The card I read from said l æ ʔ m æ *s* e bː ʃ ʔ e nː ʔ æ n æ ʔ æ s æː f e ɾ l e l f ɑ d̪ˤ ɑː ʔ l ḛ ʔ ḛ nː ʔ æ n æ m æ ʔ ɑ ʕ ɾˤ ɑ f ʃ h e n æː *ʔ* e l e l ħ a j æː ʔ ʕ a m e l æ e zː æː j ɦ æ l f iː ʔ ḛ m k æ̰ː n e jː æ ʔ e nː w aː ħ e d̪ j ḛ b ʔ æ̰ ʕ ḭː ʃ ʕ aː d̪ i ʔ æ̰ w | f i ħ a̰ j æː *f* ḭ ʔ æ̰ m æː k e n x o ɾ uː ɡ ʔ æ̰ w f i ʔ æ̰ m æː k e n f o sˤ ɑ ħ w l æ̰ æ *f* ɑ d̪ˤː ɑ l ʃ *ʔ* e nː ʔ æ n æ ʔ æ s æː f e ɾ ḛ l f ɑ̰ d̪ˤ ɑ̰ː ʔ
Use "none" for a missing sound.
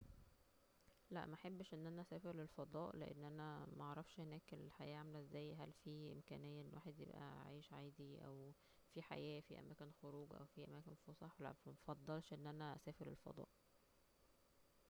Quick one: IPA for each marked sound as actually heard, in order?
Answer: ħ, k, f, f, ʔ

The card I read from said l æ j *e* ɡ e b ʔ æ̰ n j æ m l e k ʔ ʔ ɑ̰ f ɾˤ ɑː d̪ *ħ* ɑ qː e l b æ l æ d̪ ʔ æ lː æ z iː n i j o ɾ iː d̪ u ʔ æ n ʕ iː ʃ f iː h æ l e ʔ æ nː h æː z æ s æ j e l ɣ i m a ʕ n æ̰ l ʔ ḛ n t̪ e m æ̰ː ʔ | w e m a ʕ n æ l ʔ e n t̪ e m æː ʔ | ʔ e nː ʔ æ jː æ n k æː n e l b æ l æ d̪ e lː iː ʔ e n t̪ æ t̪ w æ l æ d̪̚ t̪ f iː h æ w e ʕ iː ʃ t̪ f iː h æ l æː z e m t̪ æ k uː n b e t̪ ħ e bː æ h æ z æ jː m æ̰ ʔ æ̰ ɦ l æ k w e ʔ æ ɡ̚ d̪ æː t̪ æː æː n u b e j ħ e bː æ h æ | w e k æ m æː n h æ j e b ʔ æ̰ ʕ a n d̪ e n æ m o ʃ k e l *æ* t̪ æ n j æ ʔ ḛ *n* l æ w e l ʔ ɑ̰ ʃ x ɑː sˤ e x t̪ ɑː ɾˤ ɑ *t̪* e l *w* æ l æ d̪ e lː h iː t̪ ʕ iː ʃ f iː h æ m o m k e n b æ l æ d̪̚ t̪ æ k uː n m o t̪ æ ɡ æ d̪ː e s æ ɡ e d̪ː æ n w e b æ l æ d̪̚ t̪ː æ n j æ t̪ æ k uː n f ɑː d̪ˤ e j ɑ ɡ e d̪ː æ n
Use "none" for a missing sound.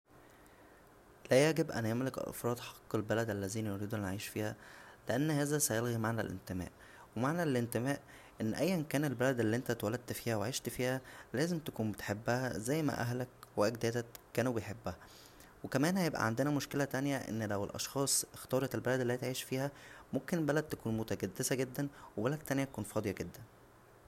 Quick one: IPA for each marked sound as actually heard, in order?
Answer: æ, ħ, æ, nː, t̪, b

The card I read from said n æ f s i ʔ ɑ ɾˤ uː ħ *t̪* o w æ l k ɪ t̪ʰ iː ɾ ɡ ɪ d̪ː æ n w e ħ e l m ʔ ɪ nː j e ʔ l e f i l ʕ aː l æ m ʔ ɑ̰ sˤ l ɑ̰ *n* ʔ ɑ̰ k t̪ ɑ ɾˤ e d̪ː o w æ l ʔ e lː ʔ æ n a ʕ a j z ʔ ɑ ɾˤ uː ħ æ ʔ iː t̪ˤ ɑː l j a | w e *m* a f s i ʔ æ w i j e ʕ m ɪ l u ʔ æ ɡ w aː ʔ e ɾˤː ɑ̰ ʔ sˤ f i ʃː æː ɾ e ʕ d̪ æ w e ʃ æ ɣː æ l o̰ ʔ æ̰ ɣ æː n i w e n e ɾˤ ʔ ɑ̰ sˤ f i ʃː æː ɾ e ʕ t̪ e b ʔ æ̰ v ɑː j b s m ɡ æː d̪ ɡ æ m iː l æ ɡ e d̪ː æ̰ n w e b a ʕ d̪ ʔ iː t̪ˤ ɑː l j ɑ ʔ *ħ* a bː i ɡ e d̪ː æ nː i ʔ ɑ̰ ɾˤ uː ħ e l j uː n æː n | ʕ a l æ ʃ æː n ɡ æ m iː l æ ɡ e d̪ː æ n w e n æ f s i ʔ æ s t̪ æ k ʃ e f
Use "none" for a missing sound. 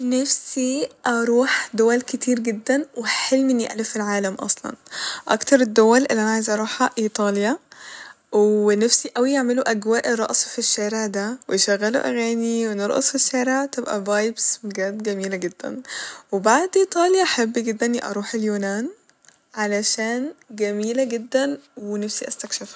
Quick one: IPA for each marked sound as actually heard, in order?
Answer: d̪, n, n, ħ

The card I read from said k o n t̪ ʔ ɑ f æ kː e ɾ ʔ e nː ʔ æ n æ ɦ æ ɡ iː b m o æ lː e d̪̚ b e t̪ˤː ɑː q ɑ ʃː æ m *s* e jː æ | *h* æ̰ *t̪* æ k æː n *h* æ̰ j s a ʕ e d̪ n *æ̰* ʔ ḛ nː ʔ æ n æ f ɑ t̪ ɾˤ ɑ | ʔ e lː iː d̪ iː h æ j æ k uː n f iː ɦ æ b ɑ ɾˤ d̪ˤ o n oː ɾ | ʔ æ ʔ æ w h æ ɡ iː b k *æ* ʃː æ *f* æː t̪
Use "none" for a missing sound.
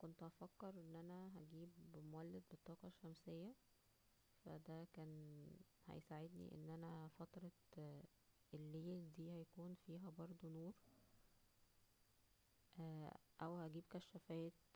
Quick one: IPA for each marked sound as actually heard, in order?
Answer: s, f, d̪, h, ḭ, æ, f

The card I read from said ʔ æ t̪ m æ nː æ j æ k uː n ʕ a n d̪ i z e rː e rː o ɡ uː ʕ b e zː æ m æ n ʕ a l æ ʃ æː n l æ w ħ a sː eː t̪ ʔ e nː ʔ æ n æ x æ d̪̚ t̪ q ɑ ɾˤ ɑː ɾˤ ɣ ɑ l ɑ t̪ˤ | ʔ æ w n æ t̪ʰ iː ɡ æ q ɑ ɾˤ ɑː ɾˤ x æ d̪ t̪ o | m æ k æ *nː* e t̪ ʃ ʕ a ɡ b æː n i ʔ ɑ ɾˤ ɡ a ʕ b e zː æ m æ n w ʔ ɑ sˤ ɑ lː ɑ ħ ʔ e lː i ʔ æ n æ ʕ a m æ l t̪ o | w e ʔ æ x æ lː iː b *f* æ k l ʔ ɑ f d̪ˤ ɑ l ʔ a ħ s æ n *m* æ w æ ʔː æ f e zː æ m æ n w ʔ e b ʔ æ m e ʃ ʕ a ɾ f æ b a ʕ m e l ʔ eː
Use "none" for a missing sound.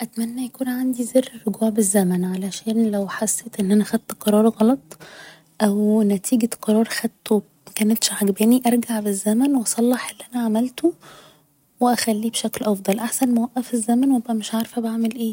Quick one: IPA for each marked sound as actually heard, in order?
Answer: n, ʃ, m

